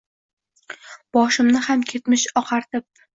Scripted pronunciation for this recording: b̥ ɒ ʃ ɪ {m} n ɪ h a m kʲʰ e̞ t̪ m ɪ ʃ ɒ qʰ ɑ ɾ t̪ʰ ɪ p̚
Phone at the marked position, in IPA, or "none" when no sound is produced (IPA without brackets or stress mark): m